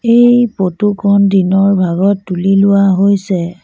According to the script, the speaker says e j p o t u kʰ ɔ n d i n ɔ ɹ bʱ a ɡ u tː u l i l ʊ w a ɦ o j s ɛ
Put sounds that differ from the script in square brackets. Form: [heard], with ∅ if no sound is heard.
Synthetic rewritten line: e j p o t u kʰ ɔ n d i n ɔ ɹ bʱ a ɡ [ɔ] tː u l i l ʊ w a ɦ o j s ɛ